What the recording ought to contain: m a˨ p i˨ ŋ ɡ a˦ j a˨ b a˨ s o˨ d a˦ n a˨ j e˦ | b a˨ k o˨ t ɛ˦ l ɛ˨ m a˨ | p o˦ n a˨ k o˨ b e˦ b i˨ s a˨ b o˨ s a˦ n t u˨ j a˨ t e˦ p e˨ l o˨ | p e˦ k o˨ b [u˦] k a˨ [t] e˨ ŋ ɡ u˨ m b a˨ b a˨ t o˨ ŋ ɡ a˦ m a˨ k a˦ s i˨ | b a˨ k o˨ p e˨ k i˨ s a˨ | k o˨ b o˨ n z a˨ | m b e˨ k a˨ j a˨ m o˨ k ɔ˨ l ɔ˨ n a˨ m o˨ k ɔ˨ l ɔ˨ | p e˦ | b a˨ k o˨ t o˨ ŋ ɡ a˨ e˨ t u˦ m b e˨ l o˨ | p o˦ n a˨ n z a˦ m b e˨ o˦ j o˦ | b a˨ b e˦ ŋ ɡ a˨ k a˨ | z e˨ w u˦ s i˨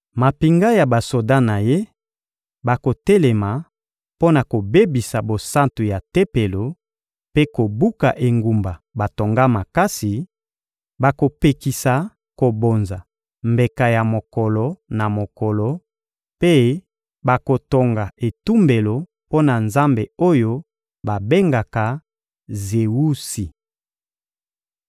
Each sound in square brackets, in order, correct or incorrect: correct, incorrect

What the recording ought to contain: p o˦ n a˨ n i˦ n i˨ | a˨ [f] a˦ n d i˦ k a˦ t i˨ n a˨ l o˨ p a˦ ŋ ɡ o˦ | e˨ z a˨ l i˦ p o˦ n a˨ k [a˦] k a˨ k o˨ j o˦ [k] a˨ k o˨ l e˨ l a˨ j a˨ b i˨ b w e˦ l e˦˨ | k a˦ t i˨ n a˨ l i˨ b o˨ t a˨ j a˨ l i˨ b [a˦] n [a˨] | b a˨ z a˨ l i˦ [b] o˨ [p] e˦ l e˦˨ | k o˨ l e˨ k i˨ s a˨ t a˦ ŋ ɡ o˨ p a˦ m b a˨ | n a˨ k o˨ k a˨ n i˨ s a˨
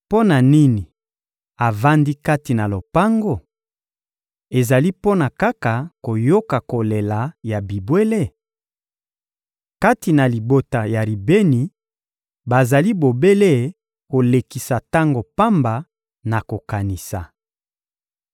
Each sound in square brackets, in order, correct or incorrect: incorrect, correct, correct, incorrect, incorrect, correct, incorrect

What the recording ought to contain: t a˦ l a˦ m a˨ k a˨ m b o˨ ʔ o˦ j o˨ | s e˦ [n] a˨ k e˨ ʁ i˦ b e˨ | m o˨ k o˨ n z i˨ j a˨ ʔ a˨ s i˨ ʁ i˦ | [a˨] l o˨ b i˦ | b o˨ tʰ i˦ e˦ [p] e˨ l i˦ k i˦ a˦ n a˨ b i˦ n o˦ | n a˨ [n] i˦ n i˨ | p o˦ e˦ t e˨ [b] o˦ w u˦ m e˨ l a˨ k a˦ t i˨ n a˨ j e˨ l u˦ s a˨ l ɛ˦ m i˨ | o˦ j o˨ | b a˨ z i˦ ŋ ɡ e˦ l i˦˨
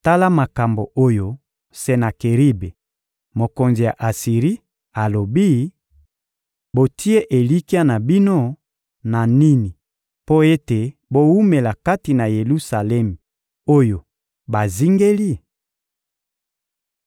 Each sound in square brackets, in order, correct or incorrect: correct, correct, incorrect, correct, correct

